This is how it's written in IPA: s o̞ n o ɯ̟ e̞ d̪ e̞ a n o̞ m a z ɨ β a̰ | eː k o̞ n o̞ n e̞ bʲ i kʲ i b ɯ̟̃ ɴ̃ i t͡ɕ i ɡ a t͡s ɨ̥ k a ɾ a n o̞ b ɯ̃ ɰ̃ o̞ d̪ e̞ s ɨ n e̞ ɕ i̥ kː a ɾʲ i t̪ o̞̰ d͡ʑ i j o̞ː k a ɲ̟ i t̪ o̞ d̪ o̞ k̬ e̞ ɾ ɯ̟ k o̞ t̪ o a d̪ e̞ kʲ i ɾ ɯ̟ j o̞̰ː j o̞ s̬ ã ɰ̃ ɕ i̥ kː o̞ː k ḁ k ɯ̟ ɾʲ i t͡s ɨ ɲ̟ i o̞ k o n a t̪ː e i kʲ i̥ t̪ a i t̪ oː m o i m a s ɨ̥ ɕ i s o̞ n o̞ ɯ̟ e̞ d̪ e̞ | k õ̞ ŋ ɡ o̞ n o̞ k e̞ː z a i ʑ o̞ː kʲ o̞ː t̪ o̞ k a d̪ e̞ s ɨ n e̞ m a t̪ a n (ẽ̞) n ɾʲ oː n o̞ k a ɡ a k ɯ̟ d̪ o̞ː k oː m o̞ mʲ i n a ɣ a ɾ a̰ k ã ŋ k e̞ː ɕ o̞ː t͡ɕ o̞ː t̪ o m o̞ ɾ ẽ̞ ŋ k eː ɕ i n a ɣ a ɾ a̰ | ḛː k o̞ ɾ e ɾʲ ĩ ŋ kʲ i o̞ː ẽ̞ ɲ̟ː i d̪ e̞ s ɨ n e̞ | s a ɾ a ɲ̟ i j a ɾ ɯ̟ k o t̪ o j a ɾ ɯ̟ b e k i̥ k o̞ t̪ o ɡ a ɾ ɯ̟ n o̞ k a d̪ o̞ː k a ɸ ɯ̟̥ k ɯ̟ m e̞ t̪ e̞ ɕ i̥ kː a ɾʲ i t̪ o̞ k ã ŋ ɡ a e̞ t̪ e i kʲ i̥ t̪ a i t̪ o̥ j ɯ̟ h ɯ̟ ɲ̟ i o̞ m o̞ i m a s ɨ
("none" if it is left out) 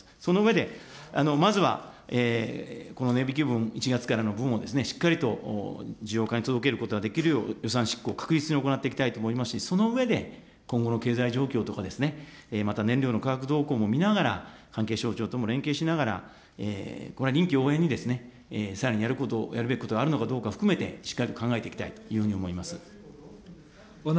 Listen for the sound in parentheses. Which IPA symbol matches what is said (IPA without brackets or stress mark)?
ẽ̞